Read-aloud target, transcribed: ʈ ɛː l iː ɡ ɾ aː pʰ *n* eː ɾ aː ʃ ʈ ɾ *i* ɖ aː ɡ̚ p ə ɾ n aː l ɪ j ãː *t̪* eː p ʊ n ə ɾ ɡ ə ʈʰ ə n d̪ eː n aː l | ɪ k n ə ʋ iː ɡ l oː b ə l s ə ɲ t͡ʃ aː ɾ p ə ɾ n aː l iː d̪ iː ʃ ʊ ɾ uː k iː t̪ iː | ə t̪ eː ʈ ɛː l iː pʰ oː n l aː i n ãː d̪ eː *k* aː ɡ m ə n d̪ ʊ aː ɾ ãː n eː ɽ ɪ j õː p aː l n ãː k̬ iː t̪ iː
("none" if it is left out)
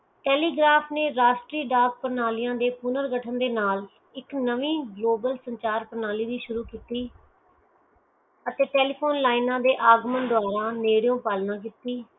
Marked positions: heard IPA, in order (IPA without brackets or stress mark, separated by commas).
n, iː, d̪, ʔ